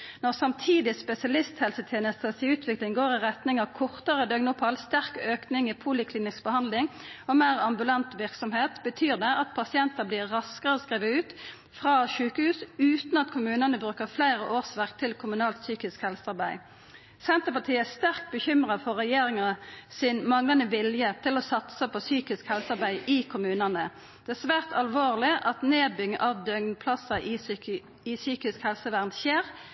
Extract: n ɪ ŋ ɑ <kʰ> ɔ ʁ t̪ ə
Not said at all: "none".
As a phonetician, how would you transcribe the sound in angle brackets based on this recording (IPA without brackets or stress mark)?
kʰ